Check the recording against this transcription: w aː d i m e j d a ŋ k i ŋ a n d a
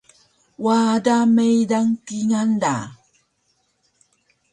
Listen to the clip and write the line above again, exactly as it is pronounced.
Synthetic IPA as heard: w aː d a m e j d a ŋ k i ŋ a n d a